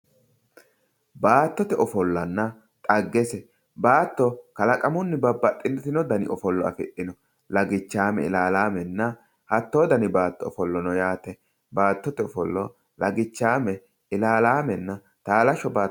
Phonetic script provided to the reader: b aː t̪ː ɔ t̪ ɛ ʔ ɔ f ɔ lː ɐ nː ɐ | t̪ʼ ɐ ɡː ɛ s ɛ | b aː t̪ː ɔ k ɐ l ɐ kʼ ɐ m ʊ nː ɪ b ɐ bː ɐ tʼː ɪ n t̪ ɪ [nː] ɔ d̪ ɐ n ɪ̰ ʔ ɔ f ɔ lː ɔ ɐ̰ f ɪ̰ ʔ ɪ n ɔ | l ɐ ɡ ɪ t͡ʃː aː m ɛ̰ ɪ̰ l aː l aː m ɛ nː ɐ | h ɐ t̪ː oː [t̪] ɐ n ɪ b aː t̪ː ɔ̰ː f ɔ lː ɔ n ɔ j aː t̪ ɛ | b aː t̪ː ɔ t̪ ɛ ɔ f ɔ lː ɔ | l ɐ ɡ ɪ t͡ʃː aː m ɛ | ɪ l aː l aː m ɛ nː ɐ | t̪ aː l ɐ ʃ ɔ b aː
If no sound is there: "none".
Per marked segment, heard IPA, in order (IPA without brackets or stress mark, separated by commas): n, d̪